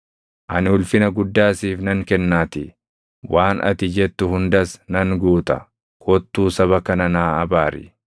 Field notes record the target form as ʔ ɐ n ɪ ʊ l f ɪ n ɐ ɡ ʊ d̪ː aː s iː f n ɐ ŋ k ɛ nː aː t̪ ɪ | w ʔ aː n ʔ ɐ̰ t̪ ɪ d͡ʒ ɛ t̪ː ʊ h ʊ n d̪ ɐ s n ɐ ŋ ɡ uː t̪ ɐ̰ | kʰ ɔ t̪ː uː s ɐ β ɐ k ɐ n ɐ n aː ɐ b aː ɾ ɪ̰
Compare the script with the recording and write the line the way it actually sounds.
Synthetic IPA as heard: ʔ ɐ n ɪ ʊ l f ɪ n ɐ ɡ ʊ d̪ː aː s iː f n ɐ ŋ k ɛ nː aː t̪ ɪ | w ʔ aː n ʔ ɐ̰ t̪ ɪ d͡ʒ ɛ t̪ː ʊ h ʊ n d̪ ɐ s n ɐ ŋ ɡ uː t̪ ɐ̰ | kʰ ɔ t̪ː uː s ɐ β ɐ k ɐ n ɐ n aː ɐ b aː ɾ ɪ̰

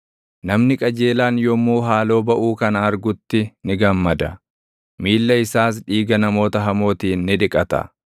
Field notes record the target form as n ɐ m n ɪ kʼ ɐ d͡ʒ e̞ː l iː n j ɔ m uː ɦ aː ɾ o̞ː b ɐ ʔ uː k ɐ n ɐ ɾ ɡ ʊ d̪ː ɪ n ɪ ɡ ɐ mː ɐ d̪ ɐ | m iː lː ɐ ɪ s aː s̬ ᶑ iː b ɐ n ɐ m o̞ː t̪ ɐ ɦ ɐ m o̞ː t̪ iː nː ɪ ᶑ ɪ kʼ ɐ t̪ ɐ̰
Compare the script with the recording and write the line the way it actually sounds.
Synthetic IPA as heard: n ɐ m n ɪ kʼ ɐ d͡ʒ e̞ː l aː n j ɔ m uː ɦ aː l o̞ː b ɐ ʔ uː k ɐ n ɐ ɾ ɡ ʊ t̪ː ɪ n ɪ ɡ ɐ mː ɐ d̪ ɐ | m iː lː ɐ ɪ s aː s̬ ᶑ iː ɡ ɐ n ɐ m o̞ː t̪ ɐ ɦ ɐ m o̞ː t̪ iː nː ɪ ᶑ ɪ kʼ ɐ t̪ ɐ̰

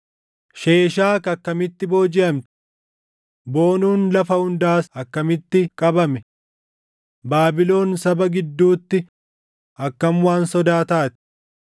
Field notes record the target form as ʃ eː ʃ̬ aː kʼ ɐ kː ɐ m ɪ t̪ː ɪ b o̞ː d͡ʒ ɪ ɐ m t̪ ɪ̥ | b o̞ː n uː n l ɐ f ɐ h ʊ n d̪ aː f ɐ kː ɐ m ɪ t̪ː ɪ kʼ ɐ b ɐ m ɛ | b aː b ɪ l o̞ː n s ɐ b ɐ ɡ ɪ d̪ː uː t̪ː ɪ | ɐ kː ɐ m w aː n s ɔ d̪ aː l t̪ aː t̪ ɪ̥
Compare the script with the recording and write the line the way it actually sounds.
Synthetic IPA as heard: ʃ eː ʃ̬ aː k ɐ kː ɐ m ɪ t̪ː ɪ b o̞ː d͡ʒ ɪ ɐ m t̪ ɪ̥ | b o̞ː n uː n l ɐ f ɐ h ʊ n d̪ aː s ɐ kː ɐ m ɪ t̪ː ɪ kʼ ɐ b ɐ m ɛ | b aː b ɪ l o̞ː n s ɐ b ɐ ɡ ɪ d̪ː uː t̪ː ɪ | ɐ kː ɐ m w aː n s ɔ d̪ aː t̪ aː t̪ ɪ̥

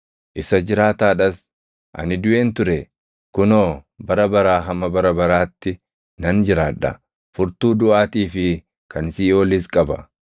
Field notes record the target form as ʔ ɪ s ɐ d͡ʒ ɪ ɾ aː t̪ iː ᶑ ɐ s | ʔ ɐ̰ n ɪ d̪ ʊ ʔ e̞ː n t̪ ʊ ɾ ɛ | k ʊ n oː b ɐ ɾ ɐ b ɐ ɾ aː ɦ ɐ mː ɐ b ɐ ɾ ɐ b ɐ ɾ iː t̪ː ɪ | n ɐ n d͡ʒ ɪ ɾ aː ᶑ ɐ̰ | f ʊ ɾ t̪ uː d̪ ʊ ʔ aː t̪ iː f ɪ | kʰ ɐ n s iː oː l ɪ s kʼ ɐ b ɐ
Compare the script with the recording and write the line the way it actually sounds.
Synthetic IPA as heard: ʔ ɪ s ɐ d͡ʒ ɪ ɾ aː t̪ aː ᶑ ɐ s | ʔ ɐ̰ n ɪ d̪ ʊ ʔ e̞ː n t̪ ʊ ɾ ɛ | k ʊ n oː b ɐ ɾ ɐ b ɐ ɾ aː ɦ ɐ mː ɐ b ɐ ɾ ɐ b ɐ ɾ aː t̪ː ɪ | n ɐ n d͡ʒ ɪ ɾ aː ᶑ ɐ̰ | f ʊ ɾ t̪ uː d̪ ʊ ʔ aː t̪ iː f ɪ | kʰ ɐ n s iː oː l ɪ s kʼ ɐ b ɐ

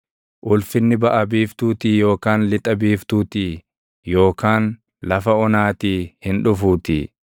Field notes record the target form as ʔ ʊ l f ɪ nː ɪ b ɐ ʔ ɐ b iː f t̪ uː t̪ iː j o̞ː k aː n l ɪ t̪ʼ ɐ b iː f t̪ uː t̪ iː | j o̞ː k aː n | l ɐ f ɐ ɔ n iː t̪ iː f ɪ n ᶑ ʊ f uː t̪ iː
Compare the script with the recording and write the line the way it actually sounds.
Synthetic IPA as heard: ʔ ʊ l f ɪ nː ɪ b ɐ ʔ ɐ b iː f t̪ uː t̪ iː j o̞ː k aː n l ɪ t̪ʼ ɐ b iː f t̪ uː t̪ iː | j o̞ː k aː n | l ɐ f ɐ ɔ n aː t̪ iː h ɪ n ᶑ ʊ f uː t̪ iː

